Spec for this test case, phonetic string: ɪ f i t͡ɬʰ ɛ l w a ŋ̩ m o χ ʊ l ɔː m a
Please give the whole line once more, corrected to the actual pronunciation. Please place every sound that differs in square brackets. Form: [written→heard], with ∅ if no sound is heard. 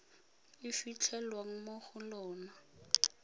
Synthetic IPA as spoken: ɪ f i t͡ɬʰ ɛ l w a ŋ̩ m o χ ʊ l ɔː [m→n] a